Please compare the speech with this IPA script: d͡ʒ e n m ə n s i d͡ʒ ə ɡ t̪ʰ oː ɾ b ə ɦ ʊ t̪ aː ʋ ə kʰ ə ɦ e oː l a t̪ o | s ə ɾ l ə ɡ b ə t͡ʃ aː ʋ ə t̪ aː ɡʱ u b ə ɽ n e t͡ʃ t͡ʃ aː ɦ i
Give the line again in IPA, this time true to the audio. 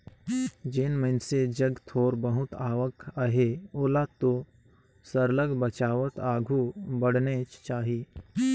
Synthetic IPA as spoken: d͡ʒ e n m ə n s e d͡ʒ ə ɡ t̪ʰ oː ɾ b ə ɦ ʊ t̪ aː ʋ ə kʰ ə ɦ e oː l a t̪ o | s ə ɾ l ə ɡ b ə t͡ʃ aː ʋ ə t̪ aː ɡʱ u b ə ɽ n e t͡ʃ t͡ʃ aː ɦ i